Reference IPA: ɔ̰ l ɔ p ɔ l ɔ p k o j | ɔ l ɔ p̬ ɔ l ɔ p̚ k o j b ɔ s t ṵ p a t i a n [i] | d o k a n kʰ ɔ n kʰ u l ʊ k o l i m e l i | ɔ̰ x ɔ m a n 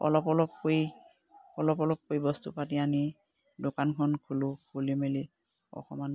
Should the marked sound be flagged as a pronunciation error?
no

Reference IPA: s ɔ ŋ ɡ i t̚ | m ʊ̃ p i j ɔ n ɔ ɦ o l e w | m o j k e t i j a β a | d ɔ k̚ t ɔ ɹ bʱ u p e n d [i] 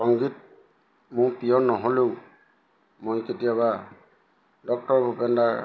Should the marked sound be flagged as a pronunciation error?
yes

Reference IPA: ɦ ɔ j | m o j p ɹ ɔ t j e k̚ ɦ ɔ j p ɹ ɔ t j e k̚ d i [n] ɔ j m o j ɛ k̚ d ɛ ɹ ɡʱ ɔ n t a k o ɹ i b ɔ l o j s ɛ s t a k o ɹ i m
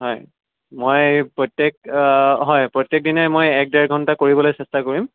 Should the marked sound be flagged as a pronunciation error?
no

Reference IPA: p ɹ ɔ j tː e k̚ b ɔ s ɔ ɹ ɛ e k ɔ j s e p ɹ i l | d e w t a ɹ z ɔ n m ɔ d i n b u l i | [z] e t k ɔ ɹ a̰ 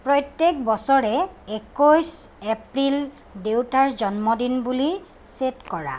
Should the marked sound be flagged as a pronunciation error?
yes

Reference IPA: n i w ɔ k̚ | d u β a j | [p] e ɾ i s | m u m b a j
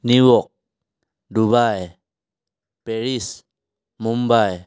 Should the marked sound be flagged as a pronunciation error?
no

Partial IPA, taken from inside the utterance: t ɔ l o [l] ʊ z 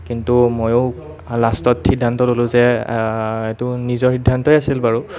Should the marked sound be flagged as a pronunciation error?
no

